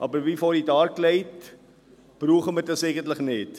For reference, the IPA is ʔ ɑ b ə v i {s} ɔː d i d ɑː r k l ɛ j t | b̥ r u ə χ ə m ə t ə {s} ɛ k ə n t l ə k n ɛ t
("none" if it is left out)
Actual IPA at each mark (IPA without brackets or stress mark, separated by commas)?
f, s